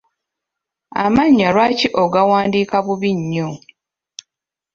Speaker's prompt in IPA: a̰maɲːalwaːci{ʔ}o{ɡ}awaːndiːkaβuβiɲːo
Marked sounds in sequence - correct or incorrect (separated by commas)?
correct, correct